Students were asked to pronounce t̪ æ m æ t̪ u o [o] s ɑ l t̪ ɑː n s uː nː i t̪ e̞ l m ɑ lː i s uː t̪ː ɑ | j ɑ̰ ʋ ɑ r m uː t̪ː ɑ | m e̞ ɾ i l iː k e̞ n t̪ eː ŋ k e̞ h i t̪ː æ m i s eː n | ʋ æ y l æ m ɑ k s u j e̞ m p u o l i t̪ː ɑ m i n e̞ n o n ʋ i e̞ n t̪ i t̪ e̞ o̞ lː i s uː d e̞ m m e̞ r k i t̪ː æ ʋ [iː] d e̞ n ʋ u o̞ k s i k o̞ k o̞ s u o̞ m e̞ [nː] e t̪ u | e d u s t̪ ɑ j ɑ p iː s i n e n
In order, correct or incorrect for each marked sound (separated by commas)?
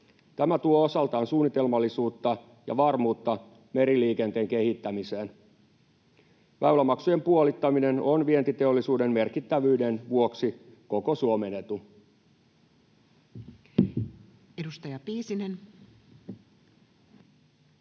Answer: correct, incorrect, incorrect